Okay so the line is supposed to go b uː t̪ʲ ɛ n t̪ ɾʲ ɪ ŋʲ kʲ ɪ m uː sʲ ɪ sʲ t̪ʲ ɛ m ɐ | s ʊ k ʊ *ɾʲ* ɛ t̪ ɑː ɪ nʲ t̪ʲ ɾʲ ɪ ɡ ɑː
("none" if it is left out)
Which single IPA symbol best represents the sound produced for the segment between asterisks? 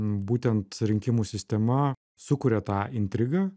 ɾʲ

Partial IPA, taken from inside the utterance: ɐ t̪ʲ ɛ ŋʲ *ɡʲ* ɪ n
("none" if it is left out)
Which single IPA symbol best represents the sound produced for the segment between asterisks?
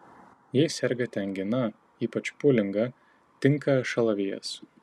ɡʲ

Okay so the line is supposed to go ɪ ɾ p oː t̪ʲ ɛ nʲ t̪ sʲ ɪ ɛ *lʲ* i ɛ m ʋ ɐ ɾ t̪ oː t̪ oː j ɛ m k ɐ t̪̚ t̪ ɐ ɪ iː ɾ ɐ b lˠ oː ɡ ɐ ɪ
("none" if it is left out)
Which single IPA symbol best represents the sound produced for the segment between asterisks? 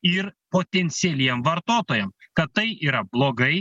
lʲ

